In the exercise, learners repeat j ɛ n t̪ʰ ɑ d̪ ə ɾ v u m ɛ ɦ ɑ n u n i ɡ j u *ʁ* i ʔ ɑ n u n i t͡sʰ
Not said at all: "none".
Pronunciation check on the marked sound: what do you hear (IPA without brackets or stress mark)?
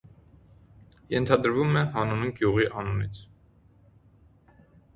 ʁ